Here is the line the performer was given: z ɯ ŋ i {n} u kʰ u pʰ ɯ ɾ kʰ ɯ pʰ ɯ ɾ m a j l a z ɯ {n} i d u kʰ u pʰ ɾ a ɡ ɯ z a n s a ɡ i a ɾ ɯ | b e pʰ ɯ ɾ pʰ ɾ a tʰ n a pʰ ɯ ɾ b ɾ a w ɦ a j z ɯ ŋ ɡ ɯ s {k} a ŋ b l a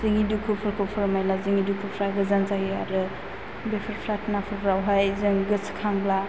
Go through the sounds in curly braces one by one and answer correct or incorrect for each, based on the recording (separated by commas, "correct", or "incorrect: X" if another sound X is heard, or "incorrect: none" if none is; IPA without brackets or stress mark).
incorrect: d, incorrect: ŋ, incorrect: kʰ